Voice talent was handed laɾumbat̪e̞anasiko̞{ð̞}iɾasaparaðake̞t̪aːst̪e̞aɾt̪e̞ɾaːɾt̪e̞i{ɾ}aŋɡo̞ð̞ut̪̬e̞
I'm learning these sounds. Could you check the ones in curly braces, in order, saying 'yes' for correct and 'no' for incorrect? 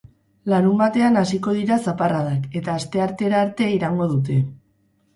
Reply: yes, yes

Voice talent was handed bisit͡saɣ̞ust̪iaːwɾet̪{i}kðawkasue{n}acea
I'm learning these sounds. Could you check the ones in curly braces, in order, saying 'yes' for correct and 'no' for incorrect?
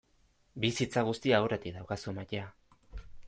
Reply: yes, no

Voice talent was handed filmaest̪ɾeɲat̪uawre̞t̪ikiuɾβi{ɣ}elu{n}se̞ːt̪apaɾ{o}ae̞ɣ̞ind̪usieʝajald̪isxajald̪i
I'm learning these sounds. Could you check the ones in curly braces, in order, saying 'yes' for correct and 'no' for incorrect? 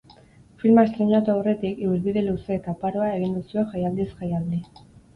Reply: no, no, yes

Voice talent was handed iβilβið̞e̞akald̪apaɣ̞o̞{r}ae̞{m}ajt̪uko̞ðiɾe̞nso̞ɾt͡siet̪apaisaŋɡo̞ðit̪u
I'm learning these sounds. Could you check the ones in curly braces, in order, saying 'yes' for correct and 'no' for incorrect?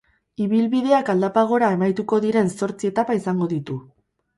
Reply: no, yes

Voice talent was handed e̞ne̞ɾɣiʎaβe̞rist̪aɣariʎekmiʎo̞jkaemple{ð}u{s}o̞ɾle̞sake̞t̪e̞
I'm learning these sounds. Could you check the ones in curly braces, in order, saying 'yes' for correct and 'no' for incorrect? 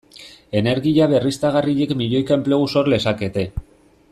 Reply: no, yes

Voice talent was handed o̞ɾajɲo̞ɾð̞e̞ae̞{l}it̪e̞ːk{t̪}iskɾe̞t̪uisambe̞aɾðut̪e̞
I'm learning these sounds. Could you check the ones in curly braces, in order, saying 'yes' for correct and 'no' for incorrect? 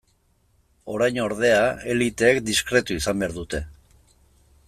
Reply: yes, no

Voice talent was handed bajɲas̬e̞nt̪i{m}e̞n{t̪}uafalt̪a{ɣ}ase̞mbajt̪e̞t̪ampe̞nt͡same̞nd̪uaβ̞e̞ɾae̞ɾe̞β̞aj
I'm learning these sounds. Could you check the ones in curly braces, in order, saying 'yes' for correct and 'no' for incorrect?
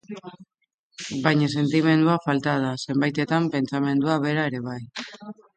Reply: yes, no, no

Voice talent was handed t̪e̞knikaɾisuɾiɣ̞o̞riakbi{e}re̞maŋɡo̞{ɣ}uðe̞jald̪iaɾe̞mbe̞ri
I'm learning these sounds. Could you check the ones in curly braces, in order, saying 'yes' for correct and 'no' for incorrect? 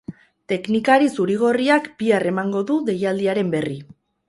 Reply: no, no

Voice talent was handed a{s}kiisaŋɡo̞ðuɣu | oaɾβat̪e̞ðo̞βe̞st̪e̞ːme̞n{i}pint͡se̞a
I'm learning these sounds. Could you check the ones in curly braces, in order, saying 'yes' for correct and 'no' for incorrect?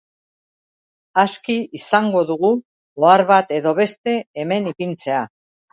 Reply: yes, yes

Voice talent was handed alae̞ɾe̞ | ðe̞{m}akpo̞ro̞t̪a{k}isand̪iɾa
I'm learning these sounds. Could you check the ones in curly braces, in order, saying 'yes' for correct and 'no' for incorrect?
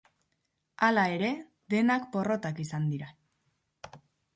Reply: no, yes

